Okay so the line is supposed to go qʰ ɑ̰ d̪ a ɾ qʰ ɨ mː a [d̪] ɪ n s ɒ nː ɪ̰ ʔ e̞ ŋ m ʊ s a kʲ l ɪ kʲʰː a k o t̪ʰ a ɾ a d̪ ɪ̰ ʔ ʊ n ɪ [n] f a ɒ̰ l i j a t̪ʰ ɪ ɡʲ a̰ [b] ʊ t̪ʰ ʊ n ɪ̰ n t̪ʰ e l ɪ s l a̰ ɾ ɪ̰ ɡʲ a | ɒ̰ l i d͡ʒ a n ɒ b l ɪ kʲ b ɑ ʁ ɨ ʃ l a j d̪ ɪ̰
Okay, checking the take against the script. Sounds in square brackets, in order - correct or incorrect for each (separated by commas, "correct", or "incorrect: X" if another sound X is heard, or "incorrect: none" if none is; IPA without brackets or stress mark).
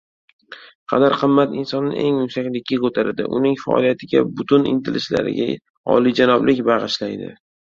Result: incorrect: t̪, incorrect: ŋ, correct